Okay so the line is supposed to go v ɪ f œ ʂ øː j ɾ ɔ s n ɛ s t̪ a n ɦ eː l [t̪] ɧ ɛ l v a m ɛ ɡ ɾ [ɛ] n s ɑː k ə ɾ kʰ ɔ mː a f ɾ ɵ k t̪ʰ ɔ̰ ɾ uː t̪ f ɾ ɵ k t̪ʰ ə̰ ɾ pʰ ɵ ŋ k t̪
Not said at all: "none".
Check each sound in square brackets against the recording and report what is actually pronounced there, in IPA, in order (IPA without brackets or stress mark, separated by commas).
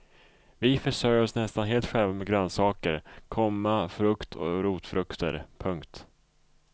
t̪, œ